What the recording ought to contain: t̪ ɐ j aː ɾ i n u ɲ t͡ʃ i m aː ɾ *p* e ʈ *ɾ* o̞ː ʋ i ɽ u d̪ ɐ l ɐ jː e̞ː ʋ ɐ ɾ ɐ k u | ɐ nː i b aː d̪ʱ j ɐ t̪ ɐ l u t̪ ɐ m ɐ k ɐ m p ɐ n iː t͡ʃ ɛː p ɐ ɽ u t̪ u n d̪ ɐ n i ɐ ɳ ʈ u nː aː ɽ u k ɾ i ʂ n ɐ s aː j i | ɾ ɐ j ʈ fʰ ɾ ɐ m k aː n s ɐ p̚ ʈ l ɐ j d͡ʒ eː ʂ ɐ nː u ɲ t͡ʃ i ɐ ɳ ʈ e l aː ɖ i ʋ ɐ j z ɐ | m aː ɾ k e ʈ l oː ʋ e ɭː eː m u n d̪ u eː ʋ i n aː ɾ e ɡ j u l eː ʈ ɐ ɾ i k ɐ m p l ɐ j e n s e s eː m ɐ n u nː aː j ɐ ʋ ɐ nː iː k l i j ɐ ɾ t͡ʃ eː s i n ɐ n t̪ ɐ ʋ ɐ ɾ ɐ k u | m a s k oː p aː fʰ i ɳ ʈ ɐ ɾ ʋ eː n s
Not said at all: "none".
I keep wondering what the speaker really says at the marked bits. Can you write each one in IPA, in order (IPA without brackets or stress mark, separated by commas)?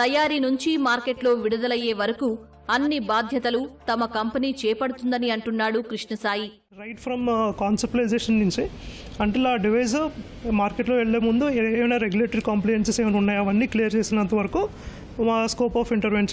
k, l